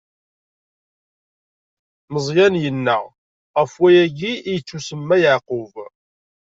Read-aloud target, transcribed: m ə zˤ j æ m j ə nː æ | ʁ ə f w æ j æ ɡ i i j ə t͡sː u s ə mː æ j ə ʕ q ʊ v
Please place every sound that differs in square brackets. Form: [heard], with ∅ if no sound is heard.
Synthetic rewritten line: m ə zˤ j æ [n] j ə nː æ | ʁ ə f w æ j æ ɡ i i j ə t͡sː u s ə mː æ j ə ʕ q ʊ v